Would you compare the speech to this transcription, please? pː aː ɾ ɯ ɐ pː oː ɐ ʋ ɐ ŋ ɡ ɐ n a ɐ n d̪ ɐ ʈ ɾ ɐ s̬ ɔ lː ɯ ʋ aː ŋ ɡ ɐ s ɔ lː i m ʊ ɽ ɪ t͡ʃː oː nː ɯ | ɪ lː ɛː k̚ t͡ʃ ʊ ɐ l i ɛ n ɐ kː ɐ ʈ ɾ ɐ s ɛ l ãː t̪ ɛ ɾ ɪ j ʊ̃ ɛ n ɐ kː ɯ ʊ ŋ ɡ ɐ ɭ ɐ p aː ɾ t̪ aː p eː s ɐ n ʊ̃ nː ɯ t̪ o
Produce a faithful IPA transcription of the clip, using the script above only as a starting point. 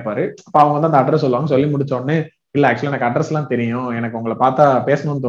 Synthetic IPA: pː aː ɾ ɯ ɐ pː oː ɐ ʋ ɐ ŋ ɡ ɐ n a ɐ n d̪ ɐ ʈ ɾ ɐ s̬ ɔ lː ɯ ʋ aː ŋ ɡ ɐ s ɔ lː i m ʊ ɽ ɪ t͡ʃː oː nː ɯ | ɪ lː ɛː k̚ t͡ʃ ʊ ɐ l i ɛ n ɐ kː ɐ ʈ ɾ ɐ s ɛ l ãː t̪ ɛ ɾ ɪ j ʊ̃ ɛ n ɐ kː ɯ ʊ ŋ ɡ ɐ ɭ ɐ p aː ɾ t̪ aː p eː s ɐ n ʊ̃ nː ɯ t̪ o